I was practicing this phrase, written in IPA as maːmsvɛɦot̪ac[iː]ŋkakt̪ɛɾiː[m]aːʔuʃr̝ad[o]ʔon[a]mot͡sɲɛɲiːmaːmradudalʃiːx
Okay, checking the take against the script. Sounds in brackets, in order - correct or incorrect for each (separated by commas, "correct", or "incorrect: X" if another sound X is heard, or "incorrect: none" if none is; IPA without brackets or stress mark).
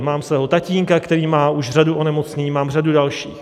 correct, correct, incorrect: u, incorrect: ɛ